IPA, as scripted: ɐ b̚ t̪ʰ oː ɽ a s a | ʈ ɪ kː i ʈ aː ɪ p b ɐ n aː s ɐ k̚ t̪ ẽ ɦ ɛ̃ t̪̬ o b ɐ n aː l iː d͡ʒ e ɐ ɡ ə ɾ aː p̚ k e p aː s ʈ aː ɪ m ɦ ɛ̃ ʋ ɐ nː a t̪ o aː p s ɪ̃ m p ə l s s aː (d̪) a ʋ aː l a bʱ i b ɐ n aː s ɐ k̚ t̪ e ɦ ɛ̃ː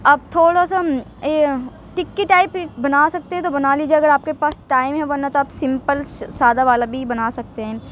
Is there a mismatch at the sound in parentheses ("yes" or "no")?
no